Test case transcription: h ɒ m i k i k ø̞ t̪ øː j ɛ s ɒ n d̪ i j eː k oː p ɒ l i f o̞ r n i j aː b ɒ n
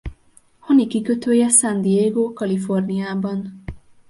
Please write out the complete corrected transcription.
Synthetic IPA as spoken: h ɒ n i k i k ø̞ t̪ øː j ɛ s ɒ n d̪ i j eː ɡ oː k ɒ l i f o̞ r n i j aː b ɒ n